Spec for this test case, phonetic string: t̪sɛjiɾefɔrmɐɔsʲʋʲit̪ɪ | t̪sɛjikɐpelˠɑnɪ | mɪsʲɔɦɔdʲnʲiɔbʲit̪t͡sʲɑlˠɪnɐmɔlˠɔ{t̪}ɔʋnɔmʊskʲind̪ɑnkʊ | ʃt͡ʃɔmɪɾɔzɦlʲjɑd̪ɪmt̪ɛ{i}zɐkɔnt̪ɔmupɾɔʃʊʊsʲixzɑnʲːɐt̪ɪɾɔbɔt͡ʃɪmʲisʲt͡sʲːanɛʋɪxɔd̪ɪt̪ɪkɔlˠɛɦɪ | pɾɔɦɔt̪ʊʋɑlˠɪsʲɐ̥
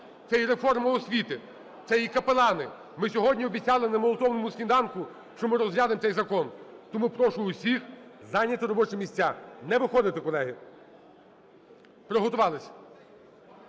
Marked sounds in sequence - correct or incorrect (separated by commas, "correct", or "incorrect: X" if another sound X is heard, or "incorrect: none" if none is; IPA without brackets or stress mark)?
correct, incorrect: j